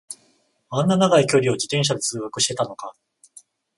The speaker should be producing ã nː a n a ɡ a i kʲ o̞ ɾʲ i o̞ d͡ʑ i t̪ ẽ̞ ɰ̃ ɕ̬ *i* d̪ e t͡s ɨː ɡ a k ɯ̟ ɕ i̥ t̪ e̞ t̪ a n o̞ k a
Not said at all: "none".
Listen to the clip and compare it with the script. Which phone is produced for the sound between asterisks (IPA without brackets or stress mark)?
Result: a